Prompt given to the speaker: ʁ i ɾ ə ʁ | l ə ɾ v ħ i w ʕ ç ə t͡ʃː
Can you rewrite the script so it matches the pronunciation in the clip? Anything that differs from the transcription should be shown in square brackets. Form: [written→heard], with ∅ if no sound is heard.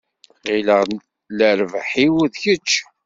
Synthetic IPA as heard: ʁ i [ɾ→l] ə ʁ | l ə ɾ v ħ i w [ʕ→ð] ç ə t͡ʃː